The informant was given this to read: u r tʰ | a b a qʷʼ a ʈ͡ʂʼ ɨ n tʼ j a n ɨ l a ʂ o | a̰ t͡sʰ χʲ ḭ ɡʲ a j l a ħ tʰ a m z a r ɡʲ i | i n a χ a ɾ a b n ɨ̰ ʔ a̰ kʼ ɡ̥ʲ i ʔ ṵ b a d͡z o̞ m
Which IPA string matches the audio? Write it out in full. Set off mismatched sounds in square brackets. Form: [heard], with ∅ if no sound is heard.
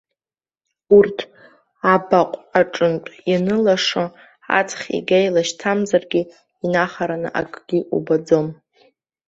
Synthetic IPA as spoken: u r tʰ | a b a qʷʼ a ʈ͡ʂʼ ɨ n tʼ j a n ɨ l a ʂ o | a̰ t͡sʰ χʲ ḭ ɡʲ a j l a [ʃ] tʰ a m z a r ɡʲ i | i n a χ a ɾ a [∅] n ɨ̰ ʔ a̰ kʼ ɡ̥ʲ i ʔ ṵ b a d͡z o̞ m

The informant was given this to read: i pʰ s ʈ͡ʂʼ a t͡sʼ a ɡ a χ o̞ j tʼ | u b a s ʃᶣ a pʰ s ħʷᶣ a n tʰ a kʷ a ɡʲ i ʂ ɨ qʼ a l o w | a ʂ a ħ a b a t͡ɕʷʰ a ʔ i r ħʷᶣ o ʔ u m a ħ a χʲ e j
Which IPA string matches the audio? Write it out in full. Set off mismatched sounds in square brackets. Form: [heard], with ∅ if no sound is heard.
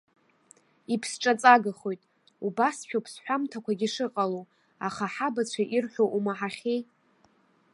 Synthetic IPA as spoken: i pʰ s ʈ͡ʂʼ a t͡sʼ a ɡ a χ o̞ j tʼ | u b a s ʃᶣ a pʰ s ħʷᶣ a [m] tʰ a kʷ a ɡʲ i ʂ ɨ qʼ a l o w | a [χ] a ħ a b a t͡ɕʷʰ a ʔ i r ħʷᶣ o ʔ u m a ħ a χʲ e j

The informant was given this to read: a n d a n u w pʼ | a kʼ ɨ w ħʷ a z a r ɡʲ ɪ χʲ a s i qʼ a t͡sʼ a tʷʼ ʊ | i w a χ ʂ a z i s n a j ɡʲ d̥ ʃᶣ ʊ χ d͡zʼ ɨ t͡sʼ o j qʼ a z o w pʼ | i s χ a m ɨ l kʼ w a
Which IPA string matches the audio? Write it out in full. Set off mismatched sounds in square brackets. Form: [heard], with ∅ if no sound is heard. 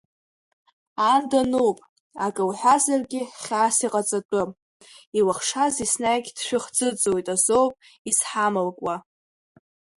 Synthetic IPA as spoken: a n d a n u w pʼ | a kʼ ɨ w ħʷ a z a r ɡʲ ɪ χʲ a s i qʼ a t͡sʼ a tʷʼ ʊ | i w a χ ʂ a z i s n a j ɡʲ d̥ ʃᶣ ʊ χ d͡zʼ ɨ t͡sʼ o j [tʼ] a z o w pʼ | i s [ħ] a m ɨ l kʼ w a

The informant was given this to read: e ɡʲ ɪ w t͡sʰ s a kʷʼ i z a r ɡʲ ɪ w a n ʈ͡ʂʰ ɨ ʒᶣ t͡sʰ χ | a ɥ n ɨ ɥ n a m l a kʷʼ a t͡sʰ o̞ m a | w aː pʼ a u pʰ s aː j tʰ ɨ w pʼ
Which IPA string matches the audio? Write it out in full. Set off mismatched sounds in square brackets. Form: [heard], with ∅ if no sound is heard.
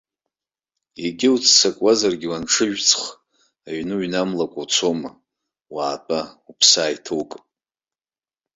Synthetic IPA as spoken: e ɡʲ ɪ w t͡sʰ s a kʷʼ [a] z a r ɡʲ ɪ w a n ʈ͡ʂʰ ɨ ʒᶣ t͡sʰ χ | a ɥ n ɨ ɥ n a m l a kʷʼ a t͡sʰ o̞ m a | w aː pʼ a u pʰ s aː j tʰ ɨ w [kʼ]

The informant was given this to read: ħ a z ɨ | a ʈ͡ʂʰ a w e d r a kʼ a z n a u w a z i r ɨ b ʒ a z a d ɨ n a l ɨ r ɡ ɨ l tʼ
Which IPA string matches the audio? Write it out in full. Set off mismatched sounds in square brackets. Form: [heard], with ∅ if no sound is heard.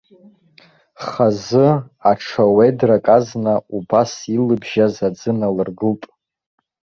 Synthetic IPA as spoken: [χ] a z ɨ | a ʈ͡ʂʰ a w e d r a kʼ a z n a u [b] a [s] i [l] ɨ b ʒ a z a [d͡z] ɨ n a l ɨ r ɡ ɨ l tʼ

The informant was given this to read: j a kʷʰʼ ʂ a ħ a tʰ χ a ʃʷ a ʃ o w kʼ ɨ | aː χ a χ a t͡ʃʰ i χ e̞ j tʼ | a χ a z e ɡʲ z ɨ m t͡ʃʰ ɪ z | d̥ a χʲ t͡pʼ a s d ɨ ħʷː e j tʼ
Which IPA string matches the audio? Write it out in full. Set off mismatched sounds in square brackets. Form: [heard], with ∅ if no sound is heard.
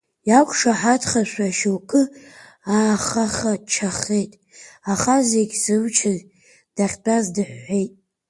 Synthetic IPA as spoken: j a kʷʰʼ ʂ a ħ a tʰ χ a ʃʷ a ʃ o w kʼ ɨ | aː χ a χ a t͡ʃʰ [a] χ e̞ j tʼ | a χ a z e ɡʲ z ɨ m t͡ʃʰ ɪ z | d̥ a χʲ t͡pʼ a [z] d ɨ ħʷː e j tʼ

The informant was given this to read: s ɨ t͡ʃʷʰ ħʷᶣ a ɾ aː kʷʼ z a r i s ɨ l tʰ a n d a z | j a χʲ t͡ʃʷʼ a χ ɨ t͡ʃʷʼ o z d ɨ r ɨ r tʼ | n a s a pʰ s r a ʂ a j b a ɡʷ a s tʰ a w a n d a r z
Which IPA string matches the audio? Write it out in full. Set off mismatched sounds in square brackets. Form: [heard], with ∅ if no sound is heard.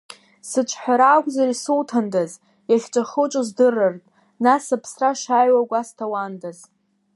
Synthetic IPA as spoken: s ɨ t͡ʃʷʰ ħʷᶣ a ɾ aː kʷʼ z a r i s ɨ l tʰ a n d a z | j a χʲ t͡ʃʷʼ a χ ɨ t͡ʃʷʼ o z d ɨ r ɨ r tʼ | n a s a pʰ s r a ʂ a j [w] a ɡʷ a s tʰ a w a n d a [∅] z

